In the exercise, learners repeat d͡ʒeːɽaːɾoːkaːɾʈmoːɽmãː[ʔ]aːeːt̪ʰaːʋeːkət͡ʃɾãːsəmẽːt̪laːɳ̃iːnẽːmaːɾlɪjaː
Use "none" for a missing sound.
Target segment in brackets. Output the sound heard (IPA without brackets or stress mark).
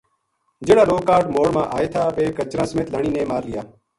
ʔ